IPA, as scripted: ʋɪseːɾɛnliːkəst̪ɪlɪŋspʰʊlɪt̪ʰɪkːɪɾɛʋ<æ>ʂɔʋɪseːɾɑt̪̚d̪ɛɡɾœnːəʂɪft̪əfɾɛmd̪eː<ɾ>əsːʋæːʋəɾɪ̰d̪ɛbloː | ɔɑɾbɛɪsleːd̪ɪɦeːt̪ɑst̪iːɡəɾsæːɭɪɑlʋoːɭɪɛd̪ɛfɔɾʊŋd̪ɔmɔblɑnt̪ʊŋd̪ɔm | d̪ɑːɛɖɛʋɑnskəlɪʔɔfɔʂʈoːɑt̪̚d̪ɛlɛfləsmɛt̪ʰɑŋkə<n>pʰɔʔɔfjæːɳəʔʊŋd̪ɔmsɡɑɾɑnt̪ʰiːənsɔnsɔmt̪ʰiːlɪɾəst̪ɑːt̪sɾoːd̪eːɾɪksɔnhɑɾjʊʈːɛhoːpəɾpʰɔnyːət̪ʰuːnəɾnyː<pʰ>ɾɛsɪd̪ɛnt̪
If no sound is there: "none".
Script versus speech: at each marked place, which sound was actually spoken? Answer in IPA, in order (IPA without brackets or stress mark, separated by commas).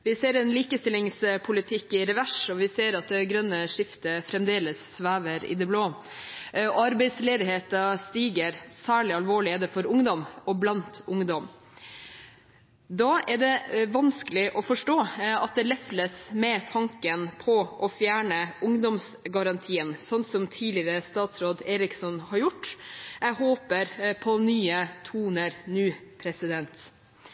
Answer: æ, l, n, pʰ